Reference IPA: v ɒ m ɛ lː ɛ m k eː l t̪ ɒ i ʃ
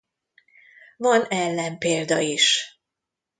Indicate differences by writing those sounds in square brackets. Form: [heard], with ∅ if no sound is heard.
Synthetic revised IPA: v ɒ [n] ɛ lː ɛ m [p] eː l [d̪] ɒ i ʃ